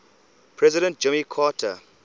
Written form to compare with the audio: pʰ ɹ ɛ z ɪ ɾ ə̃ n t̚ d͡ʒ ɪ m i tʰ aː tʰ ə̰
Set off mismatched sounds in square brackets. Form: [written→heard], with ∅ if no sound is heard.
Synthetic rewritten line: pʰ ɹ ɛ z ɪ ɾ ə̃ n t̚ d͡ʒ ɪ m i [tʰ→kʰ] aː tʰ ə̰